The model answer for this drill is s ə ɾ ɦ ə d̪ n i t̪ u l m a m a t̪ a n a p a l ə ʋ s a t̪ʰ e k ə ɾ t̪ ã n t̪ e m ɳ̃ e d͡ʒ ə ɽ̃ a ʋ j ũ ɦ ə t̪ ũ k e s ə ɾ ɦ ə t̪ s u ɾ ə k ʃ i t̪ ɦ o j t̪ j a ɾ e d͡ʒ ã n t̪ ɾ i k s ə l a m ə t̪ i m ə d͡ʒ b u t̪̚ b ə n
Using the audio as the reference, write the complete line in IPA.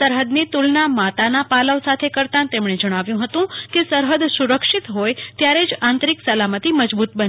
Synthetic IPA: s ə ɾ ɦ ə d̪ n i t̪ u l n a m a t̪ a n a p a l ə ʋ s a t̪ʰ e k ə ɾ t̪ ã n t̪ e m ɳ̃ e d͡ʒ ə ɽ̃ a ʋ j ũ ɦ ə t̪ ũ k e s ə ɾ ɦ ə d̪ s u ɾ ə k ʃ i t̪ ɦ o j t̪ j a ɾ e d͡ʒ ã n t̪ ɾ i k s ə l a m ə t̪ i m ə d͡ʒ b u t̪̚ b ə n